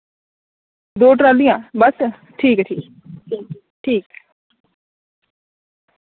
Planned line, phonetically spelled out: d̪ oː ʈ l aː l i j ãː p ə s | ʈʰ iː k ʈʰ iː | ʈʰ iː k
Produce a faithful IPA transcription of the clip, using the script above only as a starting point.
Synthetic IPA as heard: d̪ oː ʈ ɾ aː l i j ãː b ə s | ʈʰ iː k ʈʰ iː | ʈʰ iː k